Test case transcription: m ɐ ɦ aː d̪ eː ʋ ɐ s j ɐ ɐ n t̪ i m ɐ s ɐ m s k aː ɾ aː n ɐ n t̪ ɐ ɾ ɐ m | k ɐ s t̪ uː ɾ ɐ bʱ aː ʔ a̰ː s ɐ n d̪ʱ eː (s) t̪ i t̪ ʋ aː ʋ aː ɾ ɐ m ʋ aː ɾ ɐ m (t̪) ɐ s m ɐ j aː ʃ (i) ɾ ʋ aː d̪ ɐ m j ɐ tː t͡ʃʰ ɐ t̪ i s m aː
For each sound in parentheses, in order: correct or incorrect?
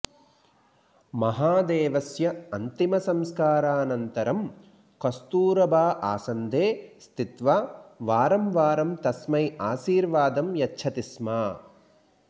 correct, correct, incorrect: iː

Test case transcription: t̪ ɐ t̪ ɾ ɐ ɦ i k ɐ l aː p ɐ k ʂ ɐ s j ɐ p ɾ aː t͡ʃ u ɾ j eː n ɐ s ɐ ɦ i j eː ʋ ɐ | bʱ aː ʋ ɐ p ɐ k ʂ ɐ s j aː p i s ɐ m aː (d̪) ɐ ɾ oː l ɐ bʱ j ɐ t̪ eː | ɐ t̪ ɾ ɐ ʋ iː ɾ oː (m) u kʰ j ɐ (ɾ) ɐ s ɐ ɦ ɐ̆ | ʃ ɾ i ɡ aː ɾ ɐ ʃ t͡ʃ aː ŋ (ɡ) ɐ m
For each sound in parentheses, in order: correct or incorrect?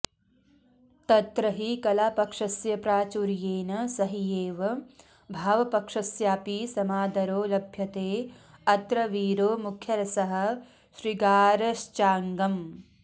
correct, correct, correct, correct

